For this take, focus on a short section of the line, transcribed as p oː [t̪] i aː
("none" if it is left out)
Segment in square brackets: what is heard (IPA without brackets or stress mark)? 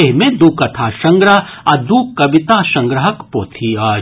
t̪ʰ